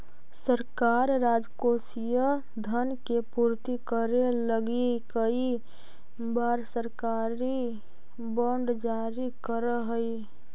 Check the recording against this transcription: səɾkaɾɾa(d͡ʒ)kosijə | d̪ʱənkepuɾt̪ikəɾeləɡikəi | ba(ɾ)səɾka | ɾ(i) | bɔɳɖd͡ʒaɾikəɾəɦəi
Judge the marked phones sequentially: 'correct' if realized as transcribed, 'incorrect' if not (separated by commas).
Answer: correct, correct, correct